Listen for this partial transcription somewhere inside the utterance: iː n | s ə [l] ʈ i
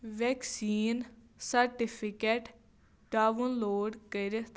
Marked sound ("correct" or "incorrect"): incorrect